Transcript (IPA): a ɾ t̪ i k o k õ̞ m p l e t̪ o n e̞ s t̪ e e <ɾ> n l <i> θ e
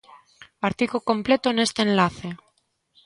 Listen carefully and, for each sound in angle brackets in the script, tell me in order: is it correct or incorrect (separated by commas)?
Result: incorrect, incorrect